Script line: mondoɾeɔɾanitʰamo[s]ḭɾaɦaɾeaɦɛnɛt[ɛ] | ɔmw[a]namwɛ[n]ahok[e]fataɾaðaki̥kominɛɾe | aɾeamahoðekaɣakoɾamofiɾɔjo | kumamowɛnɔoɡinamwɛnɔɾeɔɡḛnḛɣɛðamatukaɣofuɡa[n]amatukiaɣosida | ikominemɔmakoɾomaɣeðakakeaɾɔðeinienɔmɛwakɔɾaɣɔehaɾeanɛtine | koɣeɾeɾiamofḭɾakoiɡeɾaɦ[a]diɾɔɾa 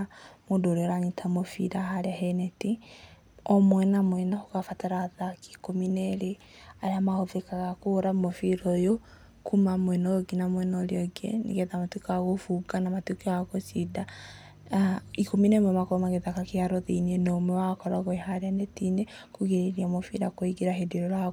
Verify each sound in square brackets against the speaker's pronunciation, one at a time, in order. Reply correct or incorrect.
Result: incorrect, incorrect, incorrect, correct, incorrect, correct, incorrect

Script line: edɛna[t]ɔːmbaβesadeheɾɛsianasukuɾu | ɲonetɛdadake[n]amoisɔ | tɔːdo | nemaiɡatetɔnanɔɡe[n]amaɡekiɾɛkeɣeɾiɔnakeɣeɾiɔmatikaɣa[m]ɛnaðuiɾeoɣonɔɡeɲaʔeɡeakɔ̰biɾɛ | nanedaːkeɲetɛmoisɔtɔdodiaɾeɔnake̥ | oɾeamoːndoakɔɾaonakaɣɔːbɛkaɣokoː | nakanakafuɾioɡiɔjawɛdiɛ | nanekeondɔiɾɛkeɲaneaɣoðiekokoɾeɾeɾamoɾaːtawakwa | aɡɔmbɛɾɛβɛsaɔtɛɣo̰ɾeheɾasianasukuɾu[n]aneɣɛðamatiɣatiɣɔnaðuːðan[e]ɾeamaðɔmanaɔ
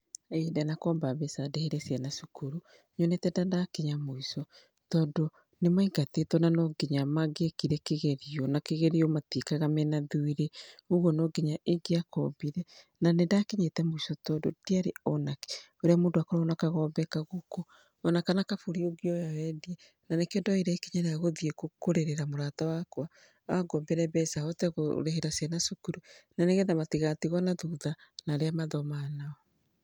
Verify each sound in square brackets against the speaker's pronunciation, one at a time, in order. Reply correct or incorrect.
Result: incorrect, incorrect, incorrect, correct, correct, incorrect

